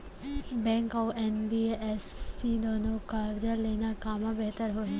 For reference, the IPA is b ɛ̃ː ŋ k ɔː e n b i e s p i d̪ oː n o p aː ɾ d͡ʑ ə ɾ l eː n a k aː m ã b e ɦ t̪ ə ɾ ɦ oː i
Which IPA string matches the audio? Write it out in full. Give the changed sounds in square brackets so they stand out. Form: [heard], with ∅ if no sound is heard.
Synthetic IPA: b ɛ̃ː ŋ k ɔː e n b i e s p i d̪ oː n o [k] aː ɾ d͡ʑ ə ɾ l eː n a k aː m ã b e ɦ t̪ ə ɾ ɦ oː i

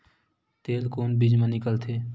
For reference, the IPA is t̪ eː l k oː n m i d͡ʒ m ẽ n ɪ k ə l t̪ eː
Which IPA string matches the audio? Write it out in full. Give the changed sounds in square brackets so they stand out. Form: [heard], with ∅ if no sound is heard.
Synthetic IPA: t̪ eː l k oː n [b] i d͡ʒ m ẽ n ɪ k ə l [t̪ʰ] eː

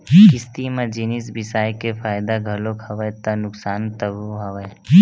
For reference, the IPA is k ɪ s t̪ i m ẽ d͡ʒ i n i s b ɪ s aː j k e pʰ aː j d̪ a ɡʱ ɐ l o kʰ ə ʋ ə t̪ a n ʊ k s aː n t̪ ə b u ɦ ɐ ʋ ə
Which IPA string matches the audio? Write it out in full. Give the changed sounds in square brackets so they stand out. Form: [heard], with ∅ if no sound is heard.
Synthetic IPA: k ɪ s t̪ i m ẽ d͡ʒ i n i s b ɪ s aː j k e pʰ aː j d̪ a ɡʱ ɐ l o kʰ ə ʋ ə t̪ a n ʊ k s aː n t̪ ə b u ɦ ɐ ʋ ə

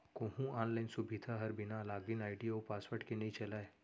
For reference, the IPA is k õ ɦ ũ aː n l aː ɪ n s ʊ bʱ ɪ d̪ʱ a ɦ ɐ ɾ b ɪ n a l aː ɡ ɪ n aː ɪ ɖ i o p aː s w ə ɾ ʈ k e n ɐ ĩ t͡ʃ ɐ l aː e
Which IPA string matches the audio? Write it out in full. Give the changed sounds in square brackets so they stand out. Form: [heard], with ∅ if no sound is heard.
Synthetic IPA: k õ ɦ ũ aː n l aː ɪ n s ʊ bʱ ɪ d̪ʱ a ɦ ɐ ɾ b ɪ n a l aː ɡ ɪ n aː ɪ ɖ i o p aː s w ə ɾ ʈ k e n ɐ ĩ t͡ʃ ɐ l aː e

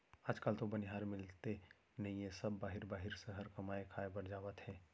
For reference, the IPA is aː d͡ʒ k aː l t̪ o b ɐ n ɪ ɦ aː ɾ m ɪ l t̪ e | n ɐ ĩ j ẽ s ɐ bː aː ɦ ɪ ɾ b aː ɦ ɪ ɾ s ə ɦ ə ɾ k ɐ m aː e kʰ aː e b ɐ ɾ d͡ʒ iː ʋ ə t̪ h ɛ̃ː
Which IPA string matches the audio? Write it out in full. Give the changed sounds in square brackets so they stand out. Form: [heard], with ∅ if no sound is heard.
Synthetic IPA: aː d͡ʒ k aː l t̪ o b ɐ n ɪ ɦ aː ɾ m ɪ l t̪ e | n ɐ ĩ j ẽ s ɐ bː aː ɦ ɪ ɾ b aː ɦ ɪ ɾ s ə ɦ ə ɾ k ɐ m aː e kʰ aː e b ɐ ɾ d͡ʒ [aː] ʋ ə t̪ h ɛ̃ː

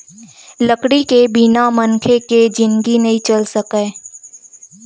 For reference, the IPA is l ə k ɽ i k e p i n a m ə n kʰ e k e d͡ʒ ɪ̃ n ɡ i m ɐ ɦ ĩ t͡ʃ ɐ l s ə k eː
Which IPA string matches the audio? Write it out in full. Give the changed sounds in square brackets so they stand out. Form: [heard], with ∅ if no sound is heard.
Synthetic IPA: l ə k ɽ i k e [b] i n a m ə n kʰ e k e d͡ʒ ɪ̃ n ɡ i [n] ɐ ɦ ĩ t͡ʃ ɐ l s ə k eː

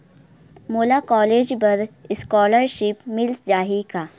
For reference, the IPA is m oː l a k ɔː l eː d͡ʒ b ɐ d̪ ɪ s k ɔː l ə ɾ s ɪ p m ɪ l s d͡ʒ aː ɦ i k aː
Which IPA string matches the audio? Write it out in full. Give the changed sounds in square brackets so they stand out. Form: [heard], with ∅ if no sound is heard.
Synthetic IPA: m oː l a k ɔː l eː d͡ʒ b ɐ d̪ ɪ s k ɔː l ə ɾ [ʃ] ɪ p m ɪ l s d͡ʒ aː ɦ i k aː

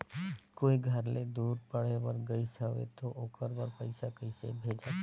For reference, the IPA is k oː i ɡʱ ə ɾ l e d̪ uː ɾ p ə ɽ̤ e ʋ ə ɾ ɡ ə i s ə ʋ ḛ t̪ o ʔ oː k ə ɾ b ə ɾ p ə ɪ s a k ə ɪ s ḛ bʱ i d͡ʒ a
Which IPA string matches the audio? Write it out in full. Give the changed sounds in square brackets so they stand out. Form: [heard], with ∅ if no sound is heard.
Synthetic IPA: k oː i ɡʱ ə ɾ l e d̪ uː ɾ p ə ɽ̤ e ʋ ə ɾ ɡ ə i s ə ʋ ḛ t̪ o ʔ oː k ə ɾ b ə ɾ p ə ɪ s a k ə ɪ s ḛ bʱ [e] d͡ʒ a

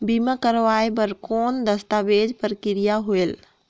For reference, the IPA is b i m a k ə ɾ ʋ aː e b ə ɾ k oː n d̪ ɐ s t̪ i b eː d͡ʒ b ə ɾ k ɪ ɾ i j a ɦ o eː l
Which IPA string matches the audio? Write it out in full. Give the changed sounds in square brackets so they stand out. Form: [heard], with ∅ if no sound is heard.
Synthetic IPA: b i m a k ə ɾ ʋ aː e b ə ɾ k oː n d̪ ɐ s t̪ [a] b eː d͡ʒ [p] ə ɾ k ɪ ɾ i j a ɦ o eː l

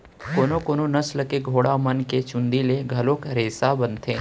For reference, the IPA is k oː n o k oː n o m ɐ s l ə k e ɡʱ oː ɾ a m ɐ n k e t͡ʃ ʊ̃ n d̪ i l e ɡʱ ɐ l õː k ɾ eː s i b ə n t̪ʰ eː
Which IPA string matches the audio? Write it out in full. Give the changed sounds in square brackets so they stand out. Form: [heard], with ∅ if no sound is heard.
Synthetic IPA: k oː n o k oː n o [n] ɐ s l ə k e ɡʱ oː [ɽ] a m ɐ n k e t͡ʃ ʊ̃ n d̪ i l e ɡʱ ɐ l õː k ɾ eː s [a] b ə n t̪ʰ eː

